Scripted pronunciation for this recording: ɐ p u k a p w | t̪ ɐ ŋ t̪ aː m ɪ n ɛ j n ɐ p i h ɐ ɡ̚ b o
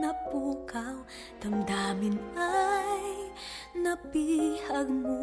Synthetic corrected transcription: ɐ p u k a w | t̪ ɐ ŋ d̪ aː m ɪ n a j n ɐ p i h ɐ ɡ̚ m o